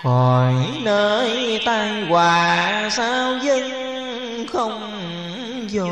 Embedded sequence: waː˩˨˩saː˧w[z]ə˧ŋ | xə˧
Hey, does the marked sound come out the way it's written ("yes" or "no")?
yes